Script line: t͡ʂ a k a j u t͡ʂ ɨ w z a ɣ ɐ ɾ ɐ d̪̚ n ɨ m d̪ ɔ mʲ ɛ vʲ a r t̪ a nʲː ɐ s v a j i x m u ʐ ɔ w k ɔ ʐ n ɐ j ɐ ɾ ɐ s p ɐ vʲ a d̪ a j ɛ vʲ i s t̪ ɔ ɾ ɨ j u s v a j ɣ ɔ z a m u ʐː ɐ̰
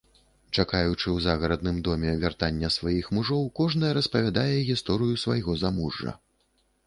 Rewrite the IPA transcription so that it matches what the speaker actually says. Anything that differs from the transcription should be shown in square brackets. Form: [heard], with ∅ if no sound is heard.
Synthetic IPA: t͡ʂ a k a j u t͡ʂ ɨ w z a ɣ ɐ ɾ ɐ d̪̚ n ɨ m d̪ ɔ mʲ ɛ vʲ a r t̪ a nʲː ɐ s v a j i x m u ʐ ɔ w k ɔ ʐ n ɐ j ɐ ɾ ɐ s p ɐ vʲ a d̪ a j ɛ [ɣʲ] i s t̪ ɔ ɾ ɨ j u s v a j ɣ ɔ z a m u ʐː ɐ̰